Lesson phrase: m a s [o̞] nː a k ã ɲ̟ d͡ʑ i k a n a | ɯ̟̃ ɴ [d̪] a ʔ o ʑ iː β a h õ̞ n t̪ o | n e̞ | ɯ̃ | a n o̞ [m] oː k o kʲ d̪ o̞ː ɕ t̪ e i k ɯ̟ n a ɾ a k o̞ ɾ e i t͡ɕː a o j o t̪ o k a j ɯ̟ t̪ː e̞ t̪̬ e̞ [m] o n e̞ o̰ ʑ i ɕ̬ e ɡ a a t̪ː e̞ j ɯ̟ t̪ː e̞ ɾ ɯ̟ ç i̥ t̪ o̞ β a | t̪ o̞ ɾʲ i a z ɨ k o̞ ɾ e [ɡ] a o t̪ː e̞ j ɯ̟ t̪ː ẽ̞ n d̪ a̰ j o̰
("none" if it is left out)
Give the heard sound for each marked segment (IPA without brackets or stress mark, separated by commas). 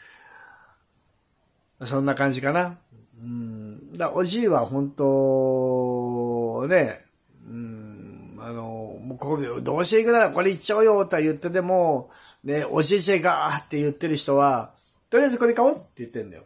õ̞, d̪, m, m, k